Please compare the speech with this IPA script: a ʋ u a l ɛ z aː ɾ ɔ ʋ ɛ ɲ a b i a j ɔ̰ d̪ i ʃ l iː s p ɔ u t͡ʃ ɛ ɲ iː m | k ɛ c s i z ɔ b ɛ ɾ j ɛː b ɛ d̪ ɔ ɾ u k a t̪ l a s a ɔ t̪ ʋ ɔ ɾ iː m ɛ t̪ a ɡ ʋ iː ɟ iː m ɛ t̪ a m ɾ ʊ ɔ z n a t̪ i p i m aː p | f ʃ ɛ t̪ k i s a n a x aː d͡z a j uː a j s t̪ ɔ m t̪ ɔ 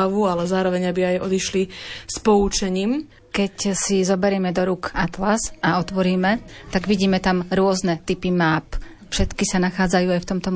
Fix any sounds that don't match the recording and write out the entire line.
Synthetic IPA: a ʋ u a l ɛ z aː ɾ ɔ ʋ ɛ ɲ a b i a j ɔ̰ d̪ i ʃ l i s p ɔ u t͡ʃ ɛ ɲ iː m | k ɛ c s i z ɔ b ɛ ɾ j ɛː m ɛ d̪ ɔ ɾ u k a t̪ l a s a ɔ t̪ ʋ ɔ ɾ iː m ɛ t̪ a ɡ ʋ i ɟ iː m ɛ t̪ a m ɾ ʊ ɔ z n ɛ t̪ i p i m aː p | f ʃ ɛ t̪ k i s a n a x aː d͡z a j uː a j f t̪ ɔ m t̪ ɔ